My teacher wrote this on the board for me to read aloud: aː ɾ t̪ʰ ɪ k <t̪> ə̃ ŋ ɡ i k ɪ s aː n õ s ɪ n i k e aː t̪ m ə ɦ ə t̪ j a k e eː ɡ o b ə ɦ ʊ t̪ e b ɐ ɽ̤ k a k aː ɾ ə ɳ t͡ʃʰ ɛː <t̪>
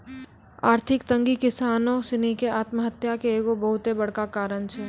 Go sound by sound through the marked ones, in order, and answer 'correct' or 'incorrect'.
correct, incorrect

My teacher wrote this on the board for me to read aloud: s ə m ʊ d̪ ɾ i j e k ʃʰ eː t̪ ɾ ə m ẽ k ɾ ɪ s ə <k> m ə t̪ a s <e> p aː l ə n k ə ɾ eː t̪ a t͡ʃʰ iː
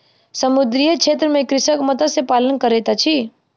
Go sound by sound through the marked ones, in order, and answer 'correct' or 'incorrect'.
correct, correct

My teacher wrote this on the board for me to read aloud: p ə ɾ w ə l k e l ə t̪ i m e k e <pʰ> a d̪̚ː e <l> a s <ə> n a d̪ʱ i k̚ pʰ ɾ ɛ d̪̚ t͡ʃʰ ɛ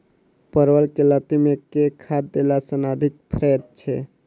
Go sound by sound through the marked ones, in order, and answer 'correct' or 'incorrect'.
incorrect, correct, correct

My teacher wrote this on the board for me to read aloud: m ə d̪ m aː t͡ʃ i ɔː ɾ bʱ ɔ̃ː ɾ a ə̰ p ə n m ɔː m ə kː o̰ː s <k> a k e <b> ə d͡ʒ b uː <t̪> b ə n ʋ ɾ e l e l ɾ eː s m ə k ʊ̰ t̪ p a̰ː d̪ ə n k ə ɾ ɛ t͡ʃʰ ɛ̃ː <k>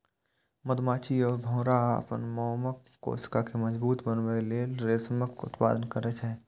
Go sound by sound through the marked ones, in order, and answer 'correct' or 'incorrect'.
correct, incorrect, correct, incorrect

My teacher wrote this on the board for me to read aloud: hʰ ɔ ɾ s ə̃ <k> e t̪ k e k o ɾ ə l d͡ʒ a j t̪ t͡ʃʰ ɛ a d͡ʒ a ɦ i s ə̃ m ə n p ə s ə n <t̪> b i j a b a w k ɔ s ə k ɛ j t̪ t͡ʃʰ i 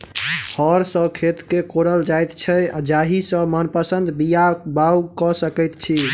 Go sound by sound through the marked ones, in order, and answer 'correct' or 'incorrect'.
incorrect, incorrect

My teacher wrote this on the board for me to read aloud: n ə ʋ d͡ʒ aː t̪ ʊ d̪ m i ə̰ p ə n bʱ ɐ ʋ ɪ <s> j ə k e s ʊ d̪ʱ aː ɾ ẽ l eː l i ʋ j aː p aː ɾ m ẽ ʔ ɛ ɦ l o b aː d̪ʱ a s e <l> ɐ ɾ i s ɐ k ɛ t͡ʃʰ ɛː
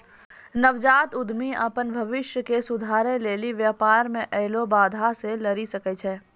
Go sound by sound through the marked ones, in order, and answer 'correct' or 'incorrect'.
incorrect, correct

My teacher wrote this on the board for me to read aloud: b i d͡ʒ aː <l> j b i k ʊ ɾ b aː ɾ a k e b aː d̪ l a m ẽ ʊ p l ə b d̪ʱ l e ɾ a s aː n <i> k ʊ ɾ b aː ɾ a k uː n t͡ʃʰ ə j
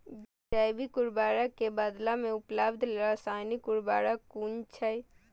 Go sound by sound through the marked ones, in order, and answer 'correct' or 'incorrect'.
incorrect, correct

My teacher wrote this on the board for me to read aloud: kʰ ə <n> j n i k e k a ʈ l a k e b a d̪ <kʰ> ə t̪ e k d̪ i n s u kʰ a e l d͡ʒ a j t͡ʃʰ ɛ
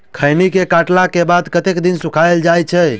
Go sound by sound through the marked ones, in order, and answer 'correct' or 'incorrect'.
incorrect, incorrect

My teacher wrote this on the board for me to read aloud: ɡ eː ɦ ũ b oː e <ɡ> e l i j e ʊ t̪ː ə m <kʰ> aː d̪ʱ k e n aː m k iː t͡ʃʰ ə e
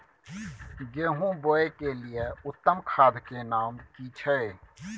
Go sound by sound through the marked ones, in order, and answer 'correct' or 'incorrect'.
incorrect, correct

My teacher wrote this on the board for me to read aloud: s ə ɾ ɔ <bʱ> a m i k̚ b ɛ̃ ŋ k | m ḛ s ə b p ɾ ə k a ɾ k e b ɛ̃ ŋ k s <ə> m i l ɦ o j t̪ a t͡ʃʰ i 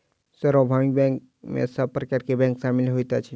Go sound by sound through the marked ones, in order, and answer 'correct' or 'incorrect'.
correct, incorrect

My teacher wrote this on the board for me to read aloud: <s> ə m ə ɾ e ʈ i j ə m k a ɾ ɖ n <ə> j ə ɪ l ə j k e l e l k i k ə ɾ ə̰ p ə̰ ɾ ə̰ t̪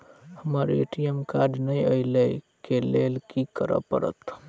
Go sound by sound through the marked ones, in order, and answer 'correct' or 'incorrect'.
incorrect, correct

